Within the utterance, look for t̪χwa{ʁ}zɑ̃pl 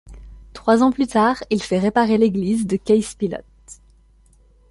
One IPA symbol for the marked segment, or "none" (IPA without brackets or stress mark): none